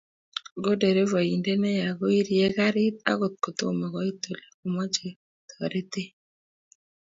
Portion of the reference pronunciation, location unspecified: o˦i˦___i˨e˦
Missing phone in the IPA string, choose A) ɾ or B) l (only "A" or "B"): A